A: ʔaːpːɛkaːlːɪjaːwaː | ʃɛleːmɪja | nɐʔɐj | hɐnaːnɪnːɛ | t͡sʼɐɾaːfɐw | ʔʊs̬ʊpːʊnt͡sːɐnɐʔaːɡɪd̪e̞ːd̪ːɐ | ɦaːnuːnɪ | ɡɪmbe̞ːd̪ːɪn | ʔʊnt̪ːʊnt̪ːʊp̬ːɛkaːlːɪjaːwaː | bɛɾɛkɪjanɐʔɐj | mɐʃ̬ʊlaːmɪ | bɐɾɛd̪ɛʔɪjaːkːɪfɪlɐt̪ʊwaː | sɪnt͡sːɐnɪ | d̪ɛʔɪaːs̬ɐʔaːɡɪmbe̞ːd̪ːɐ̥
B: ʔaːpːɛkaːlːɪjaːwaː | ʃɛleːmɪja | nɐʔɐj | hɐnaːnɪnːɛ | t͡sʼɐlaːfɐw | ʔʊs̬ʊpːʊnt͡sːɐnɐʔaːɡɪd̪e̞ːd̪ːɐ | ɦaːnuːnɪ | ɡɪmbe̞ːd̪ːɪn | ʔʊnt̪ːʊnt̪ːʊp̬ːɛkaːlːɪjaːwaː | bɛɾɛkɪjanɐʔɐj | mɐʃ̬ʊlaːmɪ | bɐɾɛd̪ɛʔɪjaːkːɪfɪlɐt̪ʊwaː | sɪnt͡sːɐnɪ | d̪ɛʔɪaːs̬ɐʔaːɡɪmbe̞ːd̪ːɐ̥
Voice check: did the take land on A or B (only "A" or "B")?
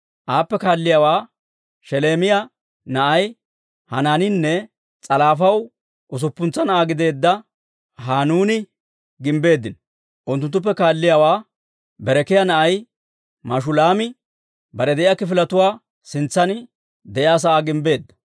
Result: B